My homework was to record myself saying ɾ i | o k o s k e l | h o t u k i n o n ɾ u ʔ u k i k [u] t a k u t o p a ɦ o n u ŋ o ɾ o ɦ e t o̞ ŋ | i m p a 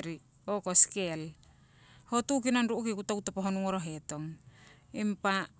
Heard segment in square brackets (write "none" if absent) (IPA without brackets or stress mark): u